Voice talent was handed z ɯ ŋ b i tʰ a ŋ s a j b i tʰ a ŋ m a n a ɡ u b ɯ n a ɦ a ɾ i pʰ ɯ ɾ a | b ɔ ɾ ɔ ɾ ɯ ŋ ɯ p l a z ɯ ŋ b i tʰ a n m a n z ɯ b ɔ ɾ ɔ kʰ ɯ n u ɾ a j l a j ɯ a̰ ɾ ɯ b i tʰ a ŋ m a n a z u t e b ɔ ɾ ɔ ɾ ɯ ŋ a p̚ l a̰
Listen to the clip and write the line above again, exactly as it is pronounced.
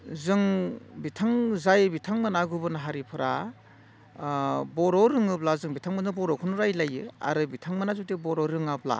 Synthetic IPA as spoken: z ɯ ŋ b i tʰ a ŋ z a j b i tʰ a ŋ m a n a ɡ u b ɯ n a ɦ a ɾ i pʰ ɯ ɾ a | b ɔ ɾ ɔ ɾ ɯ ŋ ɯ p l a z ɯ ŋ b i tʰ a ŋ m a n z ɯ b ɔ ɾ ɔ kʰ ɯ n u ɾ a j l a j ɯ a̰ ɾ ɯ b i tʰ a ŋ m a n a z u t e b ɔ ɾ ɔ ɾ ɯ ŋ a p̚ l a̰